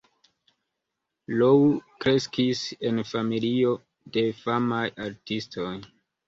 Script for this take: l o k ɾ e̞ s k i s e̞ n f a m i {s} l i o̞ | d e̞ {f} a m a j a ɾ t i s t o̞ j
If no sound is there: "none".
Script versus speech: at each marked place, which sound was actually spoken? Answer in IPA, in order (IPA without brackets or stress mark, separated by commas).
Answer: none, f